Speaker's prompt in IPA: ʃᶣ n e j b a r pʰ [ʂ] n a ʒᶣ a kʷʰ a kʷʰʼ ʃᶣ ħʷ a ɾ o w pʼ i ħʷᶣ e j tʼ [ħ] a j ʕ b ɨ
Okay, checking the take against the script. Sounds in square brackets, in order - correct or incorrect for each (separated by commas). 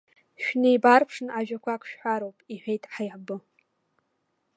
correct, correct